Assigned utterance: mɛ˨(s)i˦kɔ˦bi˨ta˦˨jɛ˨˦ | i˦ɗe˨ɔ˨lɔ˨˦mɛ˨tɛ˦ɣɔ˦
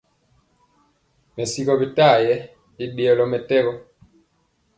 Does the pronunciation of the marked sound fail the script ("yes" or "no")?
no